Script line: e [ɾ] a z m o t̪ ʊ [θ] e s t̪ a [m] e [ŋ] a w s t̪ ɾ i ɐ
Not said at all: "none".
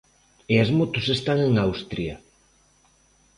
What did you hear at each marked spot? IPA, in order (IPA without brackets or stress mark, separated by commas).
none, s, ŋ, ŋ